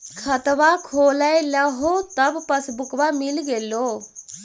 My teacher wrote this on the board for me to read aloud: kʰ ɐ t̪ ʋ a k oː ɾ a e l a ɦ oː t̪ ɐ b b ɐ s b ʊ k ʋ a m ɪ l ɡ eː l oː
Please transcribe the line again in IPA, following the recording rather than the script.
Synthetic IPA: kʰ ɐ t̪ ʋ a kʰ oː l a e l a ɦ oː t̪ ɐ b p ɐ s b ʊ k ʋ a m ɪ l ɡ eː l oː